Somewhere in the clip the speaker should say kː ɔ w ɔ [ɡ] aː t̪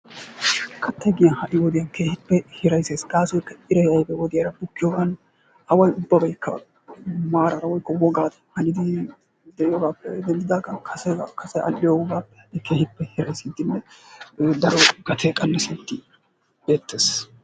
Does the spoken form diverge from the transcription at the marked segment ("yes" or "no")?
no